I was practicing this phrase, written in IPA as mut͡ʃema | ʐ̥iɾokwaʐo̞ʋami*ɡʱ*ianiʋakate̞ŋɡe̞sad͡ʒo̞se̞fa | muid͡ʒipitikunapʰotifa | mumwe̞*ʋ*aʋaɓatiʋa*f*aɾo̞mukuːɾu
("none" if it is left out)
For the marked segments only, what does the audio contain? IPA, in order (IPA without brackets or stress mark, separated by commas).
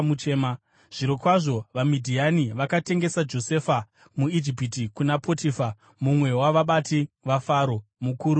dʱ, w, f